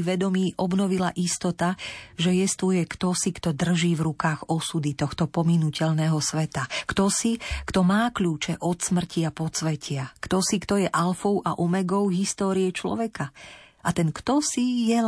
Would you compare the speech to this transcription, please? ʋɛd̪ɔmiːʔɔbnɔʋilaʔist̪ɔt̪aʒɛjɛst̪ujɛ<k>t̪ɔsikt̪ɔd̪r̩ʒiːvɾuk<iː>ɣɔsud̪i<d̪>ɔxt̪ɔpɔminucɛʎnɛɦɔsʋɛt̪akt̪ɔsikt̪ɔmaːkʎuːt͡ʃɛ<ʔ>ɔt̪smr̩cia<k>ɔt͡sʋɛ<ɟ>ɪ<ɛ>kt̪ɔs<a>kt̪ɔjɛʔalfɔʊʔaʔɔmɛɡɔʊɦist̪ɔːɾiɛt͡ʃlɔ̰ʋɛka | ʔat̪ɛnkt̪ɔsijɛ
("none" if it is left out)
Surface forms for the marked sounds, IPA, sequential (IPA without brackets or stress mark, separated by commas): k, aː, t̪, ʔ, p, c, a, i